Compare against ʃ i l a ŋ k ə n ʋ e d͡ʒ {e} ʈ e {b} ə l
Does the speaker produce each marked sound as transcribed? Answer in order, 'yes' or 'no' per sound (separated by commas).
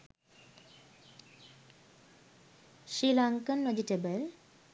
no, yes